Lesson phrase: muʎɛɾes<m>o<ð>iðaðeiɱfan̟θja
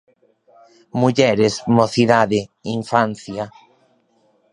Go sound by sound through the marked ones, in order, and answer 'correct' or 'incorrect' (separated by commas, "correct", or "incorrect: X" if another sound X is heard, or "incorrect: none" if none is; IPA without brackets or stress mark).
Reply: correct, incorrect: θ